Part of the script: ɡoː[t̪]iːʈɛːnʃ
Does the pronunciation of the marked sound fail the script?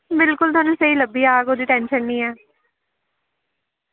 yes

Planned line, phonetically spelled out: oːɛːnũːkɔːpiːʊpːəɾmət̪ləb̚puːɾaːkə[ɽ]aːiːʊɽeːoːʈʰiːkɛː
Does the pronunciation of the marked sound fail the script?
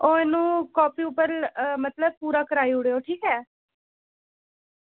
yes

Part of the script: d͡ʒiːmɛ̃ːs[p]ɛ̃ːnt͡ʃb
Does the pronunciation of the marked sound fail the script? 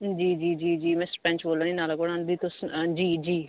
no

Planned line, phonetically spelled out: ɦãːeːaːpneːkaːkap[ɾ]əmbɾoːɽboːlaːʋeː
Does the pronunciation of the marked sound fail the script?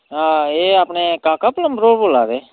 yes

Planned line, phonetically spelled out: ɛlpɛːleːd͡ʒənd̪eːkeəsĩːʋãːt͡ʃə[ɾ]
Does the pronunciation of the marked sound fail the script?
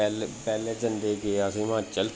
yes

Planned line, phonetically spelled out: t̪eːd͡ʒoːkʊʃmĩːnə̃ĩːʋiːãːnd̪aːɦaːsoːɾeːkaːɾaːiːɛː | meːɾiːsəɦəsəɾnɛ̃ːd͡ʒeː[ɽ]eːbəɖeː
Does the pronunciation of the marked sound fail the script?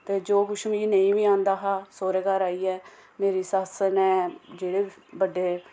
no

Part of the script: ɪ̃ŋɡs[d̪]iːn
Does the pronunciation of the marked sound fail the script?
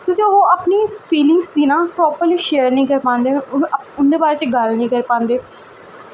no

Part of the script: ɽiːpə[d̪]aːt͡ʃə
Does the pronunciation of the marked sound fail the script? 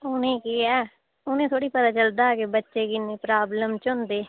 yes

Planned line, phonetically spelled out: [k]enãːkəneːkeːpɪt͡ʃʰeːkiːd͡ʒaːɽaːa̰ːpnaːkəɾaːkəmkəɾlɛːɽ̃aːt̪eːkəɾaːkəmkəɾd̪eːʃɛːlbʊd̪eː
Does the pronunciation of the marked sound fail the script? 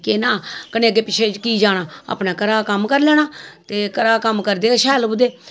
no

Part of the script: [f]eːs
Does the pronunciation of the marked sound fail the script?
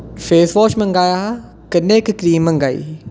no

